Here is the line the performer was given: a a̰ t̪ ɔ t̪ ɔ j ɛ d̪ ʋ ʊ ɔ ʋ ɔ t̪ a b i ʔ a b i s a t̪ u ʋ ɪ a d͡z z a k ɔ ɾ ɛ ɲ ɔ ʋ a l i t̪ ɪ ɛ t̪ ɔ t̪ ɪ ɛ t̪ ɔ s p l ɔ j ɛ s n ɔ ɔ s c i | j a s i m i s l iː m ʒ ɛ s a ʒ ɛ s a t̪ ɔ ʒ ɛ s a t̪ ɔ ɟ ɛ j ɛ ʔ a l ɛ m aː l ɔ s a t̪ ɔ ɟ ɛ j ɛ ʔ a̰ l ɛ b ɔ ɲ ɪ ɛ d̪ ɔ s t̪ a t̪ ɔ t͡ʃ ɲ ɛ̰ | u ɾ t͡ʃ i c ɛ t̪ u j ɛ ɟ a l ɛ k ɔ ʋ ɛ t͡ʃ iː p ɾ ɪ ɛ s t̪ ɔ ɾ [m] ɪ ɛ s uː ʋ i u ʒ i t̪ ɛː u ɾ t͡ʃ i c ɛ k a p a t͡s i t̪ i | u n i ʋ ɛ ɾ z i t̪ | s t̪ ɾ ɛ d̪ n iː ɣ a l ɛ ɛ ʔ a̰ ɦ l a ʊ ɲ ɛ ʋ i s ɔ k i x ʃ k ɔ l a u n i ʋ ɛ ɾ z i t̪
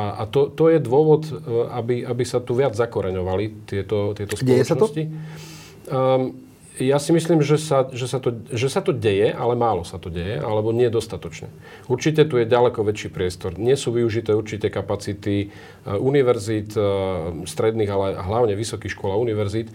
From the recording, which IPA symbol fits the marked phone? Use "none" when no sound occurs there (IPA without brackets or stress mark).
ɲ